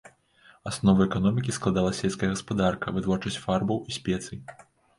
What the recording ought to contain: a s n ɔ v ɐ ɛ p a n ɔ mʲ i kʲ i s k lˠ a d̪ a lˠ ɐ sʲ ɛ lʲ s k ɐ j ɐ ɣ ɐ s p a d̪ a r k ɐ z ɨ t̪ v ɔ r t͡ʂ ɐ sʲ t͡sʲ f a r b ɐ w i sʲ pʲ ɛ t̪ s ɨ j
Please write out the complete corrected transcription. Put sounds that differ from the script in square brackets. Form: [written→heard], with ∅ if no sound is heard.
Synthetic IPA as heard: a s n ɔ v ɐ ɛ [p→k] a n ɔ mʲ i kʲ i s k lˠ a d̪ a lˠ ɐ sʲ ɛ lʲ s k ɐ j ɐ ɣ ɐ s p a d̪ a r k ɐ [z→v] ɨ t̪ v ɔ r t͡ʂ ɐ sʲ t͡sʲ f a r b ɐ w i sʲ pʲ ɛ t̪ s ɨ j